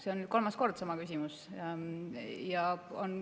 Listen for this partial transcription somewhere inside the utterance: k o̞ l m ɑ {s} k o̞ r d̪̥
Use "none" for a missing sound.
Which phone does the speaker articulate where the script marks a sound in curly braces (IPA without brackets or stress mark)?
s